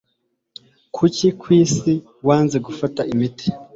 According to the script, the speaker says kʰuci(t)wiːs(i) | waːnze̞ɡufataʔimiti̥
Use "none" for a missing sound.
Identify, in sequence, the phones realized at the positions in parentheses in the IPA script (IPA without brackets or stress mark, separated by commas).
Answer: k, i